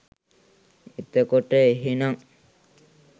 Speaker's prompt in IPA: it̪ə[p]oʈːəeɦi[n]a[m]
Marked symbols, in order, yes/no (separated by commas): no, yes, no